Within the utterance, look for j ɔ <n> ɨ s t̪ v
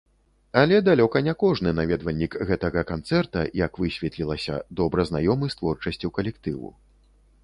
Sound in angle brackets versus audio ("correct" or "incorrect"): incorrect